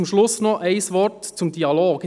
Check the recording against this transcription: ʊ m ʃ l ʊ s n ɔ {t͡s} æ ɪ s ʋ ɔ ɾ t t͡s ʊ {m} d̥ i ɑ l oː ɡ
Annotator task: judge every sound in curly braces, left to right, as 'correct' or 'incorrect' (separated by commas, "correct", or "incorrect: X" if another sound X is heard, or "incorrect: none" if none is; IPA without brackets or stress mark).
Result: incorrect: none, correct